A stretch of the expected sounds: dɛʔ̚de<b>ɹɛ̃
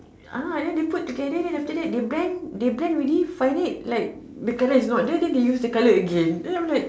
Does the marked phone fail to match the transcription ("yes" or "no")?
no